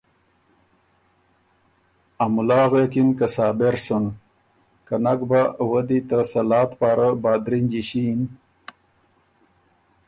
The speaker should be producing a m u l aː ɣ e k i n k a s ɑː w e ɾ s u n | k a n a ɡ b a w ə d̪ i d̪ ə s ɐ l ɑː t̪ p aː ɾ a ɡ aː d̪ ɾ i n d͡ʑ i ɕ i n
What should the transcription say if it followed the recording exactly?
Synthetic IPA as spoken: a m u l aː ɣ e k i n k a s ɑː b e ɾ s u n | k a n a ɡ b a w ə d̪ i t̪ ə s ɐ l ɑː t̪ p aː ɾ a b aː d̪ ɾ i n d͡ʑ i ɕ i n